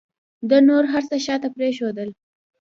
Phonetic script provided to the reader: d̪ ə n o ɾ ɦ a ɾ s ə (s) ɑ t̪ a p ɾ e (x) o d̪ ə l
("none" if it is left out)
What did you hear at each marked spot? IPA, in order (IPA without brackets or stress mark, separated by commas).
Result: ʃ, ʃ